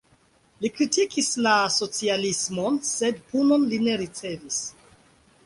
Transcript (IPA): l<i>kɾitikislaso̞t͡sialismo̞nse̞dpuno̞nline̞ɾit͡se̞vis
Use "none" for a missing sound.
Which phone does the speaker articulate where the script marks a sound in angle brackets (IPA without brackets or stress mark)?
i